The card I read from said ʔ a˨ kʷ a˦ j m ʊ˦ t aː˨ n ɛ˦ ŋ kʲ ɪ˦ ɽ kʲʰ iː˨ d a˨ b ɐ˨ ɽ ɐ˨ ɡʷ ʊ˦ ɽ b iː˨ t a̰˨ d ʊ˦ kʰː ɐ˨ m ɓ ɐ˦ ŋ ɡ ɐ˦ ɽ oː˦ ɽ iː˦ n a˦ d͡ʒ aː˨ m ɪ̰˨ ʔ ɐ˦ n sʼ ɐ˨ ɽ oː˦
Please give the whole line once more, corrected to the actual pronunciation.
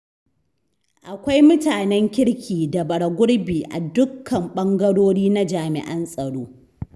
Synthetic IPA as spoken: ʔ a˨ kʷ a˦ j m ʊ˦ t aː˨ n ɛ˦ ŋ kʲ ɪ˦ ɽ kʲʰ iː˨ d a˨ b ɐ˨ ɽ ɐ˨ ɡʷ ʊ˦ ɽ b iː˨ ʔ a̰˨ d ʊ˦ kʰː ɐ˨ m ɓ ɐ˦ ŋ ɡ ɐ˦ ɽ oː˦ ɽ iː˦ n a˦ d͡ʒ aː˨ m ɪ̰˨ ʔ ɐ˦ n sʼ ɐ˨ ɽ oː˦